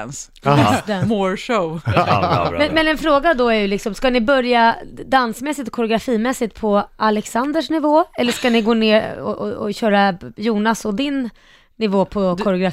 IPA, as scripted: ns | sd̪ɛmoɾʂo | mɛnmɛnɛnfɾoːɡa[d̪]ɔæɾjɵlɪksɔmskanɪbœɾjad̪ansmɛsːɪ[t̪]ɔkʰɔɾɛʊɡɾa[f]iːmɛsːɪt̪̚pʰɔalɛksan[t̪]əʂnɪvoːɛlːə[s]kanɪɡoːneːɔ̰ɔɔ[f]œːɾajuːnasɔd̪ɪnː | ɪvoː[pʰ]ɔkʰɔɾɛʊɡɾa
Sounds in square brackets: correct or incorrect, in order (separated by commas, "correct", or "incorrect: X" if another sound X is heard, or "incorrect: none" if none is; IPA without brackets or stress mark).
correct, correct, correct, incorrect: d̪, incorrect: ʂ, incorrect: ɕ, correct